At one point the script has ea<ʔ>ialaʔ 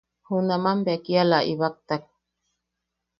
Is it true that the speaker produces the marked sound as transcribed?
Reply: no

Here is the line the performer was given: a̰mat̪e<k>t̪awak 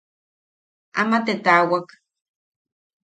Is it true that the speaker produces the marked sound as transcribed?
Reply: no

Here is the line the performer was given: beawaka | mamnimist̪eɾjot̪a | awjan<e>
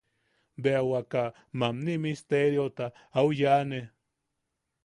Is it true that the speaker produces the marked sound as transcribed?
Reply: yes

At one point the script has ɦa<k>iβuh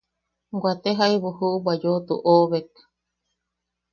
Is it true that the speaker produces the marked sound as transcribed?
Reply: no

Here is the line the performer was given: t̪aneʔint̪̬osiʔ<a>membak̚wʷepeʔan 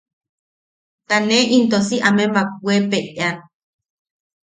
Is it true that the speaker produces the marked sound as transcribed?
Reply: yes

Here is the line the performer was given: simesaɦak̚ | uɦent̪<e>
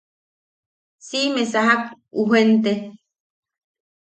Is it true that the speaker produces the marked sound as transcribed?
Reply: yes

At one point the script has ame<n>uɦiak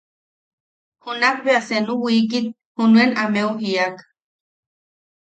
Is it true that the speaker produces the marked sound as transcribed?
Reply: no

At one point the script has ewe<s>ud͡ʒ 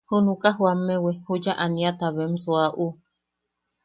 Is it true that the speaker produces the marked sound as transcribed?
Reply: no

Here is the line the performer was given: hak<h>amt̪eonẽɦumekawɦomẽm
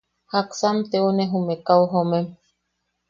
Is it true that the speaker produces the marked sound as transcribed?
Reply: no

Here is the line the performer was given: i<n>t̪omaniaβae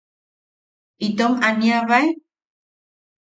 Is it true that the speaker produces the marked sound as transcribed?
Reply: no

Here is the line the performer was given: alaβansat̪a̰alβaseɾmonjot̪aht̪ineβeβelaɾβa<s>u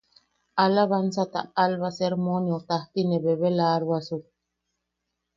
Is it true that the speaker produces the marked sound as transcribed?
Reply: yes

